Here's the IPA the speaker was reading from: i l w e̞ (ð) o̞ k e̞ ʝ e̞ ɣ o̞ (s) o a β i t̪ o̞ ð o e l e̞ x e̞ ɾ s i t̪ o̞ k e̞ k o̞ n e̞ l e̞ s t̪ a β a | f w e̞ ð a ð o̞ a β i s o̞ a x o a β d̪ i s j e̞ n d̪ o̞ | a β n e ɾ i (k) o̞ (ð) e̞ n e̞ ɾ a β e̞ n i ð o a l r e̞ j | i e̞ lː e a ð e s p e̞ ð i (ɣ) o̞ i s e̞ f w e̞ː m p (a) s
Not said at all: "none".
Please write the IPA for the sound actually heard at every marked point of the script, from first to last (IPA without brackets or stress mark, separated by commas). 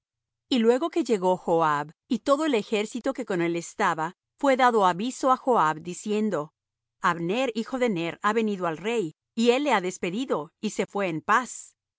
ɣ, x, x, ð, ð, a